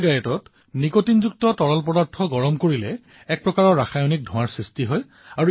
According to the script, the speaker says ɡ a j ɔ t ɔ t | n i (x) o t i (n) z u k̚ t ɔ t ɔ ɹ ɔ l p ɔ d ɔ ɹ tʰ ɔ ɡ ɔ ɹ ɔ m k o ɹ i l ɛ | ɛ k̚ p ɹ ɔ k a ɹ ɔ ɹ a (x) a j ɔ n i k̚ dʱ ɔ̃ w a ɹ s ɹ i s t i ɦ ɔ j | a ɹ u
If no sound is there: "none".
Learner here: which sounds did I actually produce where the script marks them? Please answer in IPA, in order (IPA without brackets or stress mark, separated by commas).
k, n, x